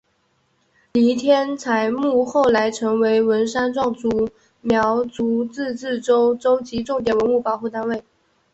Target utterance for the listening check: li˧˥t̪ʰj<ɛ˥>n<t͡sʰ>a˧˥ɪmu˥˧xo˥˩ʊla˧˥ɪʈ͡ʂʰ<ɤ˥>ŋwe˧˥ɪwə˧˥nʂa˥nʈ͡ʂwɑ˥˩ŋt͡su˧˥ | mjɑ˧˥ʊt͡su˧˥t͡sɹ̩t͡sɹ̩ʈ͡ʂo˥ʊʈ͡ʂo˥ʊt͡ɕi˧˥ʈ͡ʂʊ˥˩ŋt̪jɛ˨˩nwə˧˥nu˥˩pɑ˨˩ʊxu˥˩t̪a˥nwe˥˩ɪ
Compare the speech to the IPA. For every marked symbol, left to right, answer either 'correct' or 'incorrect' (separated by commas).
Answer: correct, correct, incorrect